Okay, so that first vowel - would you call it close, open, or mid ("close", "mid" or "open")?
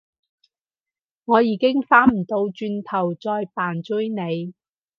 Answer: mid